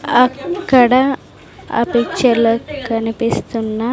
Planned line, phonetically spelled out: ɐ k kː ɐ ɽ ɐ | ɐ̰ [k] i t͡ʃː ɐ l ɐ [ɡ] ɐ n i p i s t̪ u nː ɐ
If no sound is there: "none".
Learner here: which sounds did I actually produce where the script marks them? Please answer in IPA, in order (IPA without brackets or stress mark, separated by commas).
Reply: p, k